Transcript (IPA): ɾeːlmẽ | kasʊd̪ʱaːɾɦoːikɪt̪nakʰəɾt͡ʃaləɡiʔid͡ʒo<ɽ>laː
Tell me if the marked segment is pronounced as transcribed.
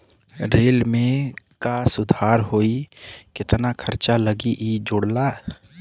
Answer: yes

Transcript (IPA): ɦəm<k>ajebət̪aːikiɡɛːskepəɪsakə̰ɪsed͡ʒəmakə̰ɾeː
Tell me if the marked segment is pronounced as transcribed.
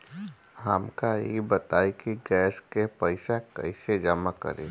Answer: yes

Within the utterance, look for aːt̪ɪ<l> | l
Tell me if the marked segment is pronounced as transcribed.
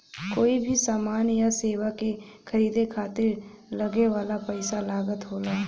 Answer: no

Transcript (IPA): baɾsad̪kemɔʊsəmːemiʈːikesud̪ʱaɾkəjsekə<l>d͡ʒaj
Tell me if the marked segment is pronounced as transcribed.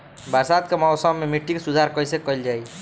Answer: yes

